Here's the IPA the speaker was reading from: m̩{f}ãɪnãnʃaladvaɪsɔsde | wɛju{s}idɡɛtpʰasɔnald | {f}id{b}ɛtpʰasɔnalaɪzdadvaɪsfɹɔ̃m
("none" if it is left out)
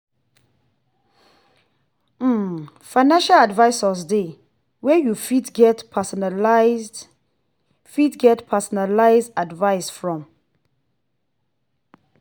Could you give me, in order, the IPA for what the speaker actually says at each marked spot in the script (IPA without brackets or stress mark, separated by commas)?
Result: f, f, f, ɡ